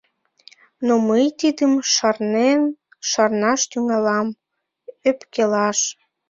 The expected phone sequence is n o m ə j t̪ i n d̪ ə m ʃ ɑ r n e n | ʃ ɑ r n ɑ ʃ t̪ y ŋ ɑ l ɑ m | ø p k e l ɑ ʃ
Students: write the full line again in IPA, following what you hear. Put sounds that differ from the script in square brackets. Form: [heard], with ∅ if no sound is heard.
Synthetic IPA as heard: n o m ə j t̪ i [∅] d̪ ə m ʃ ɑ r n e n | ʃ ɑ r n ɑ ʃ t̪ y ŋ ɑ l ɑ m | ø p k e l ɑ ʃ